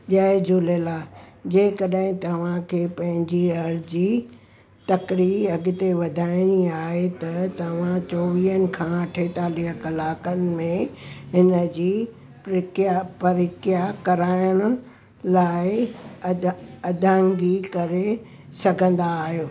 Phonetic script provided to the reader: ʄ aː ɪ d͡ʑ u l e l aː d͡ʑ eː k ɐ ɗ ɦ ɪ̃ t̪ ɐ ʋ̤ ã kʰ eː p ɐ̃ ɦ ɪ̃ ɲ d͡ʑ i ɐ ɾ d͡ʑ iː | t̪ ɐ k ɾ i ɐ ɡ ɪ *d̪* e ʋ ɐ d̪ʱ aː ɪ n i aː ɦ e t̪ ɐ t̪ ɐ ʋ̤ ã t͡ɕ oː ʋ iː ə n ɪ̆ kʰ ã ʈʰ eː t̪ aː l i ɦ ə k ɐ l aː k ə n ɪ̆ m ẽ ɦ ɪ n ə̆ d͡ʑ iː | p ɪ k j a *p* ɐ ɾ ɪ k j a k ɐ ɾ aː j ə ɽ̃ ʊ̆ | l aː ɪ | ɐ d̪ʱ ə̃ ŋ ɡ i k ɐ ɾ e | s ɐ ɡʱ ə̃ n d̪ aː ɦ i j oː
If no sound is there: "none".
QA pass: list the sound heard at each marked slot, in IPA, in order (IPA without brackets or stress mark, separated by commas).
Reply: t̪, p